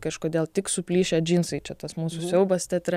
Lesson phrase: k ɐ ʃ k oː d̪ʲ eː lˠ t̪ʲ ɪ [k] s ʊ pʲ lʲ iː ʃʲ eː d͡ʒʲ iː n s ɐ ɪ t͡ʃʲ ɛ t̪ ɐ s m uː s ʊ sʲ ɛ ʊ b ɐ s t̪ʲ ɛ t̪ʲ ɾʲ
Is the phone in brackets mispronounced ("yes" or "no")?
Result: no